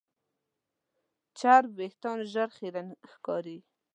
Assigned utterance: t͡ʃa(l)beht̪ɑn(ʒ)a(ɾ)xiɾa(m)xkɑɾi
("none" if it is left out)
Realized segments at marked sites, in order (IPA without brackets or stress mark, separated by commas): ɾ, ʒ, ɾ, n